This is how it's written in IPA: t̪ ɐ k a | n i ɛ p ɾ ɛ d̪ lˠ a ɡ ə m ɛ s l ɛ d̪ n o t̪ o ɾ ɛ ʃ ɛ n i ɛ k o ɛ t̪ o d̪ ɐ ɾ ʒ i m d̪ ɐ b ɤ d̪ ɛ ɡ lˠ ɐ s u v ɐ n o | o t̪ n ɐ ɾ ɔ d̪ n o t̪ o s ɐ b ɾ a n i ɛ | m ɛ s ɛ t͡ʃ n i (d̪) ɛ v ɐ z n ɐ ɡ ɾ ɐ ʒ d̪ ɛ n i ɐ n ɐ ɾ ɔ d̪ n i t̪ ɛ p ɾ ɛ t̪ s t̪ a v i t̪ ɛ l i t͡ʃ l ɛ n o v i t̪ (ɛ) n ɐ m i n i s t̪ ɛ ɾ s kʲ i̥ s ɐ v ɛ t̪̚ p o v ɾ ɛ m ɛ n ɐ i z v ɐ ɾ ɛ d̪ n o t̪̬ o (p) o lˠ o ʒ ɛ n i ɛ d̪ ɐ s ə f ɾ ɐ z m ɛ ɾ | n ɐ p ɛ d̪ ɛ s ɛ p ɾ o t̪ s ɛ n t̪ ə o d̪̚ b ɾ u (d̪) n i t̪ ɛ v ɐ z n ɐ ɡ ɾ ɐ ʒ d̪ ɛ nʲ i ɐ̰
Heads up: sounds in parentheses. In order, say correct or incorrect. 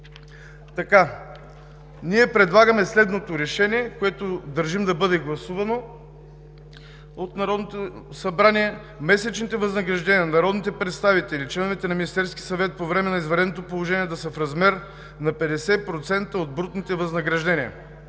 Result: incorrect: t̪, correct, correct, incorrect: t̪

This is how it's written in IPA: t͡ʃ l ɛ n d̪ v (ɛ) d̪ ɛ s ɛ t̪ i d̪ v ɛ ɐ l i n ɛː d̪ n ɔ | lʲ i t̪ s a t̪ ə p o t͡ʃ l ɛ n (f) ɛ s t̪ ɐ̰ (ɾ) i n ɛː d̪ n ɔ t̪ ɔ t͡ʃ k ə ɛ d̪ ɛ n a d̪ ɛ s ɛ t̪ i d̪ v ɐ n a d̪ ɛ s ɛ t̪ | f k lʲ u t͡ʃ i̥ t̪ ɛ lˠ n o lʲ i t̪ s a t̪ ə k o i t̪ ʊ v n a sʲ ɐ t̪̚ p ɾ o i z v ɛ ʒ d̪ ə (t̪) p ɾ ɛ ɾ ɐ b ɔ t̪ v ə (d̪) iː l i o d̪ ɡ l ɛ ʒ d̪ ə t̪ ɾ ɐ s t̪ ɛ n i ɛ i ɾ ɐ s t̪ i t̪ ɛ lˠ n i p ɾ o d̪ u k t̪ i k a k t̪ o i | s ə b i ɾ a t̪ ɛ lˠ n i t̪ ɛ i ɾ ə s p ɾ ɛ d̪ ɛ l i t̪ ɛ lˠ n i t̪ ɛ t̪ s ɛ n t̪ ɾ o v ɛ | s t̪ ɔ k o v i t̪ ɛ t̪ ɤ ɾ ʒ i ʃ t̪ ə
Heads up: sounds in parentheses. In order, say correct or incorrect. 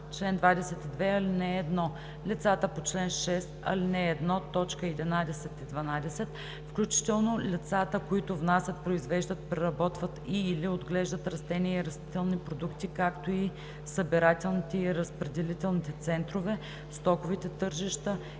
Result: incorrect: a, incorrect: ʃ, incorrect: l, correct, incorrect: t̪

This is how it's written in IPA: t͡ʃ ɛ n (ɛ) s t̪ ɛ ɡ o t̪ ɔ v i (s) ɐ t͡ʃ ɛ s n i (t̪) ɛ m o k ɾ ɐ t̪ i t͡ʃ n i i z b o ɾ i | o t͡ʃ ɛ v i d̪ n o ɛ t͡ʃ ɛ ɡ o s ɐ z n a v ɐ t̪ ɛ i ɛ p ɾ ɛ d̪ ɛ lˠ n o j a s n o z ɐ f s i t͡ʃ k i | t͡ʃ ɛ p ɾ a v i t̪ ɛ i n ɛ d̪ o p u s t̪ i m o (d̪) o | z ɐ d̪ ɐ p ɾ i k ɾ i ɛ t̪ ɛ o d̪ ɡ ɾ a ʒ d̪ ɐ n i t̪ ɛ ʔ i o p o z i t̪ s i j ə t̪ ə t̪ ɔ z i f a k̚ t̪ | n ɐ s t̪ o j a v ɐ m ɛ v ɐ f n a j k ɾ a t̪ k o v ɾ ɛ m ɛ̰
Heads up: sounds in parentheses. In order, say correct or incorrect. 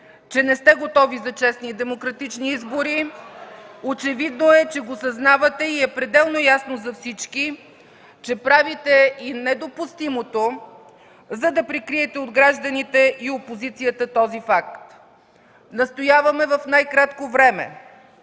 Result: correct, incorrect: z, incorrect: d̪, incorrect: t̪

